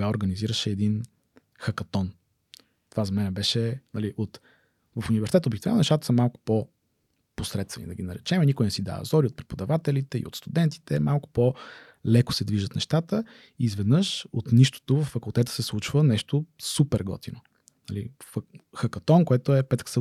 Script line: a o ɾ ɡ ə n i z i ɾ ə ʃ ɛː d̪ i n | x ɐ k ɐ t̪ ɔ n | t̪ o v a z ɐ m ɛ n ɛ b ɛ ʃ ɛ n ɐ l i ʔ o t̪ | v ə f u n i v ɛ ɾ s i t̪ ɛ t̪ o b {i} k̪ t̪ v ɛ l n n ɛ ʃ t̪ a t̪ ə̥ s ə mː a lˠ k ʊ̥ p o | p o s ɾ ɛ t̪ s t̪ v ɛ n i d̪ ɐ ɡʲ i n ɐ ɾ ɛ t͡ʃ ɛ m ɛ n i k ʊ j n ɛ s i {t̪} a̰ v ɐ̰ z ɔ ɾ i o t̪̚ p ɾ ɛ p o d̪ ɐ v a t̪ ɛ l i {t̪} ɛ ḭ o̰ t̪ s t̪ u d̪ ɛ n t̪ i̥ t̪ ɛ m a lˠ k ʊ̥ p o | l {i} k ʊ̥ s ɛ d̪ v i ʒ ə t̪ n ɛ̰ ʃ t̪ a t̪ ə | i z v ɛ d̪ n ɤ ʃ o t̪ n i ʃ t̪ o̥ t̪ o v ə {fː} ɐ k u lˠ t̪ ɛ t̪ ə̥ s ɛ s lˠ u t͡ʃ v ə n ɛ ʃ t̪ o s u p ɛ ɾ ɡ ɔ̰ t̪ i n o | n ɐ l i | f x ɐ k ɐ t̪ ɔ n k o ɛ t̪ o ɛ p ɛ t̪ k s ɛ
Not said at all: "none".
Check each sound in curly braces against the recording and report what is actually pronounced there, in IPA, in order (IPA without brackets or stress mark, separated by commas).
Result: i, d̪, t̪, ɛ, fː